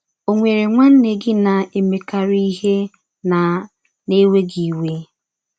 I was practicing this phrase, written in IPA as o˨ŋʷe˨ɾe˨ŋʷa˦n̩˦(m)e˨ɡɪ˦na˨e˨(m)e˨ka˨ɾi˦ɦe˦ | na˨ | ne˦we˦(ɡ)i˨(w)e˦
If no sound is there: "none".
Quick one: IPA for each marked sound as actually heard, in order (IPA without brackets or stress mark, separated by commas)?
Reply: n, m, ɡ, w